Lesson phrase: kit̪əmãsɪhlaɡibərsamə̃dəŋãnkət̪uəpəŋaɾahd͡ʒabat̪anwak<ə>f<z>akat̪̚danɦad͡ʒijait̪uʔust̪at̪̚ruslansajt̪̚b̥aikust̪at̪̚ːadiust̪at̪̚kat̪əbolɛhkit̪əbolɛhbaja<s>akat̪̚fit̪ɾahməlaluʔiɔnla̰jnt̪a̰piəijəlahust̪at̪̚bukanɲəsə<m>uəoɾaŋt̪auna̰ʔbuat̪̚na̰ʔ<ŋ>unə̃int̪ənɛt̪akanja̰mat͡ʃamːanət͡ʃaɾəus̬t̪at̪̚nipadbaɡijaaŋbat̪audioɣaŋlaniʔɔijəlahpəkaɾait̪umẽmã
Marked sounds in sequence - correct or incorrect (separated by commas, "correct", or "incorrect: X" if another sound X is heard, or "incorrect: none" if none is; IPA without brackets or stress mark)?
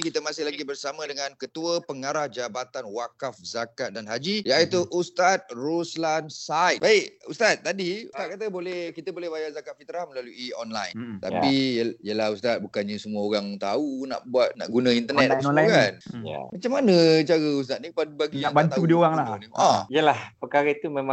incorrect: a, correct, incorrect: z, correct, incorrect: ɡ